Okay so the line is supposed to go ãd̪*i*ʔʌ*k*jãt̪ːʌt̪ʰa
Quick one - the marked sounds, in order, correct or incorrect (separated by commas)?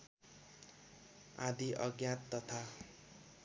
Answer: correct, incorrect